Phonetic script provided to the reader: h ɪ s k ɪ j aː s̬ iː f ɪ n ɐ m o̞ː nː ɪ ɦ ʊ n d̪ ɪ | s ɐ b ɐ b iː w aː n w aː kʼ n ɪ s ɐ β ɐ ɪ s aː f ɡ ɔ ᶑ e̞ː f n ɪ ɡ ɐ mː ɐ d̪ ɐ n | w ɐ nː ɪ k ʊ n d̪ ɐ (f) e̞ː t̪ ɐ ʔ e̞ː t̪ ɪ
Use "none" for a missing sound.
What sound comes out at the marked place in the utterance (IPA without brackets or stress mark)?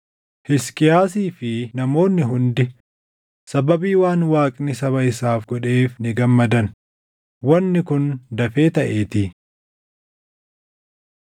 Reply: f